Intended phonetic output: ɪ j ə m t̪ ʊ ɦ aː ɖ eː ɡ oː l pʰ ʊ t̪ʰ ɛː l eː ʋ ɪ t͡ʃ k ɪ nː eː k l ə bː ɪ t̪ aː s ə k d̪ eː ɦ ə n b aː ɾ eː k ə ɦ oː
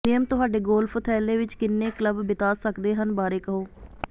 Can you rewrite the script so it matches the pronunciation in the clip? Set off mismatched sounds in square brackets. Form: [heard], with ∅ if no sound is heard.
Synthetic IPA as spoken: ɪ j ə m t̪ ʊ ɦ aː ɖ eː ɡ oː l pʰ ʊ t̪ʰ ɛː l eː ʋ ɪ t͡ʃ k ɪ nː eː k l ə bː ɪ t̪ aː s ə k d̪ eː ɦ ə n b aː ɾ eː k ə ɦ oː